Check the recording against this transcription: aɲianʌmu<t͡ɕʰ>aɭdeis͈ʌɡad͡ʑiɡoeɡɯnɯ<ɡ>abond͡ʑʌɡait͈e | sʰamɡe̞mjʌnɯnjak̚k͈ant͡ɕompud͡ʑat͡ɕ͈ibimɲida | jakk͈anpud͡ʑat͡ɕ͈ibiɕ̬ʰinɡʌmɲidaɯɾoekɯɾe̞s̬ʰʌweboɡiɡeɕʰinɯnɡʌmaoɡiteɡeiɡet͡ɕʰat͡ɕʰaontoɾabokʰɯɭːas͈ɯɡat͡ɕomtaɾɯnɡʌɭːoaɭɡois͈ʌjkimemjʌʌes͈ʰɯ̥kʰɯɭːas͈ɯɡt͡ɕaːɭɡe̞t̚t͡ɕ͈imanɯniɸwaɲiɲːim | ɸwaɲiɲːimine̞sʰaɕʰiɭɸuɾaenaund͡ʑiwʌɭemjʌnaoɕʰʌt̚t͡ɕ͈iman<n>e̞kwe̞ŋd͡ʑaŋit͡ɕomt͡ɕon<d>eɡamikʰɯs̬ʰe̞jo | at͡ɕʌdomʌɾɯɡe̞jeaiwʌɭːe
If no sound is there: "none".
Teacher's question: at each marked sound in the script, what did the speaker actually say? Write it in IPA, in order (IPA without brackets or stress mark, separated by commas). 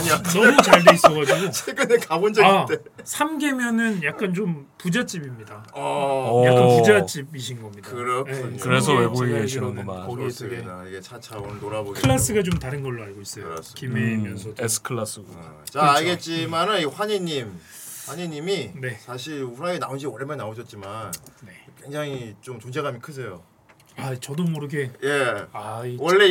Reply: t͡ɕ, k, n, d͡ʑ